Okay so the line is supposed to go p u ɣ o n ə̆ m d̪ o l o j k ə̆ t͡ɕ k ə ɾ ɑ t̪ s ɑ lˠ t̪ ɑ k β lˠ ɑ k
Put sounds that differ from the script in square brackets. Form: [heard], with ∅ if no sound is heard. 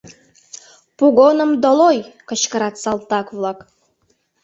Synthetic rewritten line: p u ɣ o n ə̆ m d̪ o l o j k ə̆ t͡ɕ k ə ɾ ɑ t̪ s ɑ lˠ t̪ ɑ k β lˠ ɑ k